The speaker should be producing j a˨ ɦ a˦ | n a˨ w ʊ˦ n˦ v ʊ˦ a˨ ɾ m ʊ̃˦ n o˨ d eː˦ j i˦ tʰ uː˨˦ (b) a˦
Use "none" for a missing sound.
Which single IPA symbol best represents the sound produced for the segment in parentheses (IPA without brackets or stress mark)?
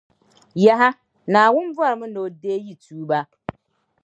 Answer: b